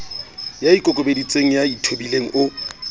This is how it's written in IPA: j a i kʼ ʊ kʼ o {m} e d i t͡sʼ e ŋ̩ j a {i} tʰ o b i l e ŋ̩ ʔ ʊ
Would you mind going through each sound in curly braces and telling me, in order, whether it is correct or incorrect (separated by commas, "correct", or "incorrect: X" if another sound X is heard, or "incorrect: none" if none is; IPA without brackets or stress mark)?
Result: incorrect: b, correct